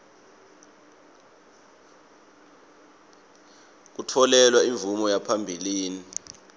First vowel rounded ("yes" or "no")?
yes